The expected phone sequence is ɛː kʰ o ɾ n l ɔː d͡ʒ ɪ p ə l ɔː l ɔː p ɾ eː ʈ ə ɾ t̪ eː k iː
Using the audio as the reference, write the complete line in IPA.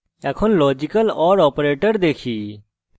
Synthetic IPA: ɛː kʰ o n l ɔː d͡ʒ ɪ k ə l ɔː ɾ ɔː p ɾ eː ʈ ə ɾ d̪ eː kʰ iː